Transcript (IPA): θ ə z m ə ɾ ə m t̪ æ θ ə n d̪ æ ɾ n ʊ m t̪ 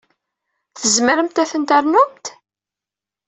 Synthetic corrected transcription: θ ə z m ə ɾ ə m t̪ æ θ ə n t̪ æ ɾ n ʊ m t̪